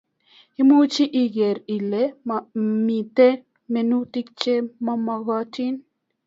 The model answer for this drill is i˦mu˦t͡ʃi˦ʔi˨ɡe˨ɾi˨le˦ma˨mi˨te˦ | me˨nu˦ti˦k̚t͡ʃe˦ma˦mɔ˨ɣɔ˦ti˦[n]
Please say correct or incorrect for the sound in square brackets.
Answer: correct